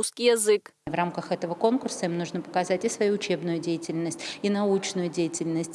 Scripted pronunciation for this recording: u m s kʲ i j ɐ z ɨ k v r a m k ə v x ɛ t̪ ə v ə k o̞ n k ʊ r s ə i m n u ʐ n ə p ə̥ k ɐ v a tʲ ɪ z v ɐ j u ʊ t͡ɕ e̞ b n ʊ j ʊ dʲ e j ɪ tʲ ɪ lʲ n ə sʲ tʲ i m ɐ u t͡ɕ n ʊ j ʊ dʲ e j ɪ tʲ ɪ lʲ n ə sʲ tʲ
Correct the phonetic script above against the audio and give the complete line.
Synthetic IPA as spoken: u s kʲ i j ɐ z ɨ k v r a m k ə x ɛ t̪ ə v ə k o̞ n k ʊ r s ə i m n u ʐ n ə p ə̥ k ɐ z a tʲ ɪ s v ɐ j u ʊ t͡ɕ e̞ b n ʊ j ʊ dʲ e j ɪ tʲ ɪ lʲ n ə sʲ tʲ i n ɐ u t͡ɕ n ʊ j ʊ dʲ e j ɪ tʲ ɪ lʲ n ə sʲ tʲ